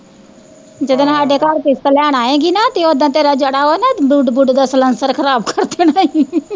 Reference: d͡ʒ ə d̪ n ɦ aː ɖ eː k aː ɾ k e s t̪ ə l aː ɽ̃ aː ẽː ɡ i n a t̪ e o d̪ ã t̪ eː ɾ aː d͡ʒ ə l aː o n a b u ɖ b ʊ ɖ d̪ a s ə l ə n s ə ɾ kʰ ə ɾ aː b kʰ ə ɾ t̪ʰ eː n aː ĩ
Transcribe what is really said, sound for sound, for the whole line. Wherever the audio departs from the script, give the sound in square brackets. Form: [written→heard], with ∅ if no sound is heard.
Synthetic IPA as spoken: d͡ʒ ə d̪ n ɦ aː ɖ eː k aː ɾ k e s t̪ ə l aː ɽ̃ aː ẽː ɡ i n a t̪ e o d̪ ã t̪ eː ɾ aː d͡ʒ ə [l→ɽ] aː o n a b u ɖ b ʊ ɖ d̪ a s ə l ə n s ə ɾ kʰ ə ɾ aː b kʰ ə ɾ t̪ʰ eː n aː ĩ